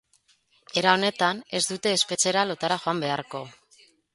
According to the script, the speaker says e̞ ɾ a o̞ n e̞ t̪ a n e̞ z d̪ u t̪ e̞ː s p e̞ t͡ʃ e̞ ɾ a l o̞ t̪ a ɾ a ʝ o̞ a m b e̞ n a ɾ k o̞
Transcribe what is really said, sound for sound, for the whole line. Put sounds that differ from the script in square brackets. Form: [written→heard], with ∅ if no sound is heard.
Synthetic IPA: e̞ ɾ a o̞ n e̞ t̪ a n e̞ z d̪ u t̪ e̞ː s p e̞ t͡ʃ e̞ ɾ a l o̞ t̪ a ɾ a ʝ o̞ a m b e̞ [n→∅] a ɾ k o̞